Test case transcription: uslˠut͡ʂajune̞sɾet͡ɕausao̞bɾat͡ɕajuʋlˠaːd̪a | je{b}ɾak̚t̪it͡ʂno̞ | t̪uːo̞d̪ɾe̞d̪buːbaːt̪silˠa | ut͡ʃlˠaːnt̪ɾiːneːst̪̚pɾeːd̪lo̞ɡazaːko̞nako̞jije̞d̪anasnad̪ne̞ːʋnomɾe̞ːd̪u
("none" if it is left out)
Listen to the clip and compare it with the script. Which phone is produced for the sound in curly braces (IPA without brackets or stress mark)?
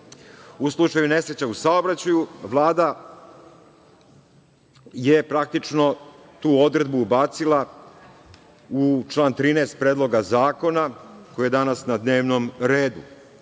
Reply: p